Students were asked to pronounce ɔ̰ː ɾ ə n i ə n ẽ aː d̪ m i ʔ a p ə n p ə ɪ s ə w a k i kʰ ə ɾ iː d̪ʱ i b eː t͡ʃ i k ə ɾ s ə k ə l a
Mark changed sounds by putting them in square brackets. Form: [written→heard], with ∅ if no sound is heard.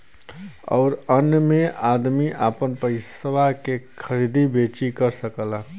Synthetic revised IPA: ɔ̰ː ɾ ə n [i→j] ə [n→m] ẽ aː d̪ m i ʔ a p ə n p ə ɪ s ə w a k [i→e] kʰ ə ɾ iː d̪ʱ i b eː t͡ʃ i k ə ɾ s ə k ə l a